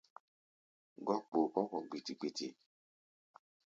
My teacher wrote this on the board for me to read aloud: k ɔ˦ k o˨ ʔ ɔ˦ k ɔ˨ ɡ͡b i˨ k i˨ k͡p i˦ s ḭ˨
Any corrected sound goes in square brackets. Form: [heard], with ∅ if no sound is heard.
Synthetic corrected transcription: [ɡ] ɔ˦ [k͡p] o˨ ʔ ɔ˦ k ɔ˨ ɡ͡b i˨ [t] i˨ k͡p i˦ [t] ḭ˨